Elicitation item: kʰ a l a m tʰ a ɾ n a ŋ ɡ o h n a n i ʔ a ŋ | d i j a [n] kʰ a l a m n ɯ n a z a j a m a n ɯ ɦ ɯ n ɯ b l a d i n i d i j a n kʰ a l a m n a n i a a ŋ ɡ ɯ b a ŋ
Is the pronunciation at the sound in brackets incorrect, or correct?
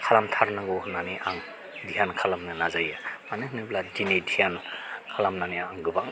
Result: correct